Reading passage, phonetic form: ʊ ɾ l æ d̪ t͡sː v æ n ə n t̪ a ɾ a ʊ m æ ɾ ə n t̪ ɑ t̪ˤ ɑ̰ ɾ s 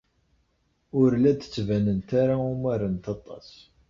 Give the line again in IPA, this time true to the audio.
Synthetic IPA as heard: ʊ ɾ l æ d̪ t͡sː v æ n ə n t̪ a ɾ a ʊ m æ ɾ ə n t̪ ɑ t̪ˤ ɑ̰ s